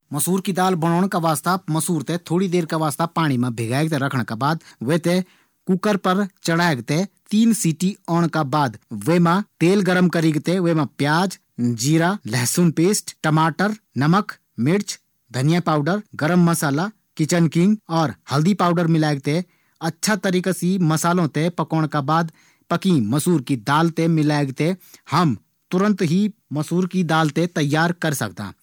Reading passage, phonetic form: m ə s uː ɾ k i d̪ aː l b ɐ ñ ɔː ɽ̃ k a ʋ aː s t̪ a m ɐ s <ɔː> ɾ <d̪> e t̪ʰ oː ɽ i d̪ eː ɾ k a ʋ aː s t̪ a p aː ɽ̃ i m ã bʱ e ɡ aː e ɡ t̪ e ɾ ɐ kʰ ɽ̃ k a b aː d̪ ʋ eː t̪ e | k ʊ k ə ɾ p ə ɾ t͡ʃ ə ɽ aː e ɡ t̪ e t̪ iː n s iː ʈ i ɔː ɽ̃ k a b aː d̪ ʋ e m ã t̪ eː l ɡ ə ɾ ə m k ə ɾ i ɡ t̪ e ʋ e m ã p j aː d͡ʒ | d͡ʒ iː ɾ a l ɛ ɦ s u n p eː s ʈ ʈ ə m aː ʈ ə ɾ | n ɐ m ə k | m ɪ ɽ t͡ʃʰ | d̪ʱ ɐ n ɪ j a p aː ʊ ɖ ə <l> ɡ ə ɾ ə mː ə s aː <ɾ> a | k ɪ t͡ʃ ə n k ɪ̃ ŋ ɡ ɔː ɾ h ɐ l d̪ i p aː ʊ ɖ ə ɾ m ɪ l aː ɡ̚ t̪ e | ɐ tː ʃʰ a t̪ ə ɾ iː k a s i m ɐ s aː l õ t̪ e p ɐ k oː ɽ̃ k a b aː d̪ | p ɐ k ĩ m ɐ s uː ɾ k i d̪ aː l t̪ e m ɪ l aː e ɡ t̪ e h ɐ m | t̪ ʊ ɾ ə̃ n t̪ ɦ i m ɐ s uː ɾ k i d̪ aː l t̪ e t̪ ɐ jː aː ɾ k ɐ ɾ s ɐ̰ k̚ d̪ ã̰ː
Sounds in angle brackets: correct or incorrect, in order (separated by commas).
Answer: incorrect, incorrect, incorrect, incorrect